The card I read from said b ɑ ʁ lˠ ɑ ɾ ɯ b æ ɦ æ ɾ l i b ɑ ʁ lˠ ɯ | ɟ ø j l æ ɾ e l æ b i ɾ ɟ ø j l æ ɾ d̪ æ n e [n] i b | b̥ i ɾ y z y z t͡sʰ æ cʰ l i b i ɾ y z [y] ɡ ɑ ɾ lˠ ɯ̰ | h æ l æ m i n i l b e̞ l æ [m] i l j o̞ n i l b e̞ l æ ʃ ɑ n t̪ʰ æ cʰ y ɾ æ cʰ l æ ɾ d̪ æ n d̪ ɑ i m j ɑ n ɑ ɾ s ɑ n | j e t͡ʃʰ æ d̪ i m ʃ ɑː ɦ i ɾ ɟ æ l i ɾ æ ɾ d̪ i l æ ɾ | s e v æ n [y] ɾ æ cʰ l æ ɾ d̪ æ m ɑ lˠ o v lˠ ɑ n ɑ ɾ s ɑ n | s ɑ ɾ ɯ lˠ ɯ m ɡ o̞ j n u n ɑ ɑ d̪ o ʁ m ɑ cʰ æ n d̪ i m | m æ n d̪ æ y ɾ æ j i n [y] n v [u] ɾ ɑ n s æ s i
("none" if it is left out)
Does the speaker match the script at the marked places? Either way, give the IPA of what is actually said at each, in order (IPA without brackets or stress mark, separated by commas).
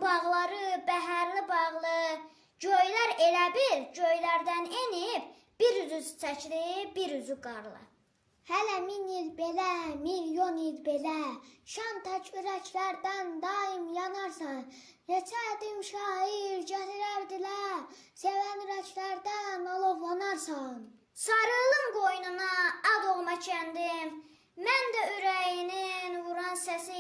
n, y, m, y, i, u